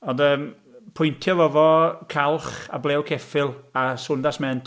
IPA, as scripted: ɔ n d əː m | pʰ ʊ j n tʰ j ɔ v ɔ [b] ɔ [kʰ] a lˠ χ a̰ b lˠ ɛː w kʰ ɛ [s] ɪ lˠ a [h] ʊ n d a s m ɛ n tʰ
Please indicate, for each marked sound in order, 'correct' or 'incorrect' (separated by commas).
incorrect, correct, incorrect, incorrect